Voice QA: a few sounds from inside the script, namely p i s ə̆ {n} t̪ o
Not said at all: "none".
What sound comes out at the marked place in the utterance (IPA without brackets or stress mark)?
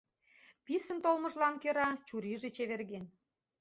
n